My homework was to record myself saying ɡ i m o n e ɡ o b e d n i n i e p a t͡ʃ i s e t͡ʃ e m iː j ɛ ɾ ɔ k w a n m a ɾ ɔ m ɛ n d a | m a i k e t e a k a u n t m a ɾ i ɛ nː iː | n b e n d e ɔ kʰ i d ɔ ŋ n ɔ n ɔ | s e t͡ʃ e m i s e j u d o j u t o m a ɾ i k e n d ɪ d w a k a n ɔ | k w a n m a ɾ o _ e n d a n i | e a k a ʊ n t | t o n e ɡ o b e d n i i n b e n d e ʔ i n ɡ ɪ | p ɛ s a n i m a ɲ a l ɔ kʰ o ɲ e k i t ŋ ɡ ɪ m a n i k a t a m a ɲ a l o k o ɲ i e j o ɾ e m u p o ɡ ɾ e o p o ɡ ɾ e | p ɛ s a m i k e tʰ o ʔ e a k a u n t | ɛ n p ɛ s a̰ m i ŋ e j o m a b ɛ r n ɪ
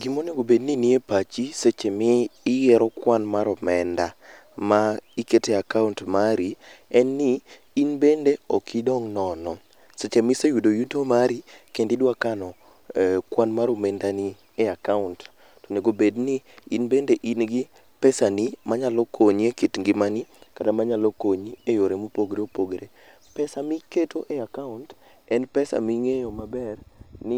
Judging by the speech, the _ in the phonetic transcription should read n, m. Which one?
m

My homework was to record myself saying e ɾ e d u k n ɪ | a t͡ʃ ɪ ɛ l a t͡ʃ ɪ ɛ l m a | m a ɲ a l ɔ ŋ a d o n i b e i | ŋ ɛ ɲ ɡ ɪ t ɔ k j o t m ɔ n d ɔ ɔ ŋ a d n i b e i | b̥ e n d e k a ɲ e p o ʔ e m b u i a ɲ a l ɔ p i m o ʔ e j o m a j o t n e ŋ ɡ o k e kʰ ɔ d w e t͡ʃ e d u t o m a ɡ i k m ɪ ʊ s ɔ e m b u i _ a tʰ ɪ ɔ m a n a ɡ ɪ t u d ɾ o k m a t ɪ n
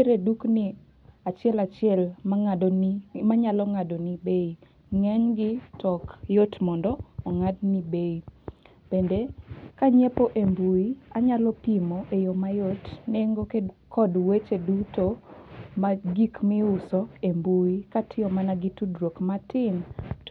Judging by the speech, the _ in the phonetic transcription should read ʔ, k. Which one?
k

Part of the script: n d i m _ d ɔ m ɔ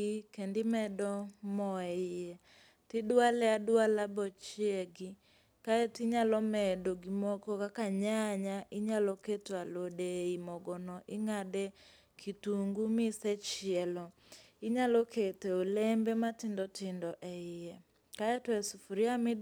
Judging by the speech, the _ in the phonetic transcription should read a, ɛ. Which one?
ɛ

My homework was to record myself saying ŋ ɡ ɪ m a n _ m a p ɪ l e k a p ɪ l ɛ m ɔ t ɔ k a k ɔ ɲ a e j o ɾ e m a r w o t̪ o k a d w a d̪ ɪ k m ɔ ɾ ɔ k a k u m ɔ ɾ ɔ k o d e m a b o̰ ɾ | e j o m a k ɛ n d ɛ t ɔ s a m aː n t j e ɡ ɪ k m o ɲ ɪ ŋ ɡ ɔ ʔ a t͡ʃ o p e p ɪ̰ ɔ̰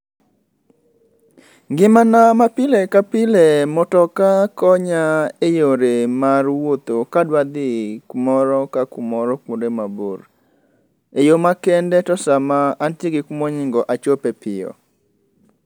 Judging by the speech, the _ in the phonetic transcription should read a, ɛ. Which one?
a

